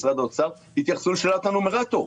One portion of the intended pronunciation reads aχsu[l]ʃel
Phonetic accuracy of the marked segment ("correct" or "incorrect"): correct